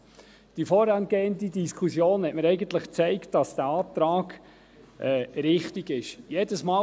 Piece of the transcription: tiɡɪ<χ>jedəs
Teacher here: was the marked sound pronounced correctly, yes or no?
no